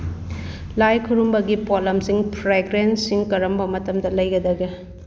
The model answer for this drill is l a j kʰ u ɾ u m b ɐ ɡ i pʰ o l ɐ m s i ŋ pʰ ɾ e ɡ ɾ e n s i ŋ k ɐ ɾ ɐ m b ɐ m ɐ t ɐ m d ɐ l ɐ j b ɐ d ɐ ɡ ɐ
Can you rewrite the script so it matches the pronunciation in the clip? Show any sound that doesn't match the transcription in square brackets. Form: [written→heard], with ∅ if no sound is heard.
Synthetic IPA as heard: l a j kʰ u ɾ u m b ɐ ɡ i [pʰ→p] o l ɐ m s i ŋ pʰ ɾ e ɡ ɾ e n s i ŋ k ɐ ɾ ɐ m b ɐ m ɐ t ɐ m d ɐ l ɐ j [b→ɡ] ɐ d ɐ ɡ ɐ